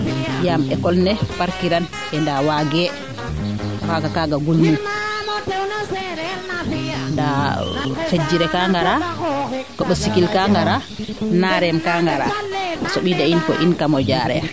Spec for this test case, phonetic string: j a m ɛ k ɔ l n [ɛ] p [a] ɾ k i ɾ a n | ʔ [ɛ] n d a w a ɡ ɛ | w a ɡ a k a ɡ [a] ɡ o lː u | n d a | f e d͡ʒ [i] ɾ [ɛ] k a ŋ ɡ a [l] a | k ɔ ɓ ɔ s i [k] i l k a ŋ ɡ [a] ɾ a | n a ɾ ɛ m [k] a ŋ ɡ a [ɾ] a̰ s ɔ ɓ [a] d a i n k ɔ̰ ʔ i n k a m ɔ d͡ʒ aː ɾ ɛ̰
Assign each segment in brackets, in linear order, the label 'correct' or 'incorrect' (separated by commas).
correct, correct, correct, correct, correct, correct, incorrect, correct, correct, correct, correct, incorrect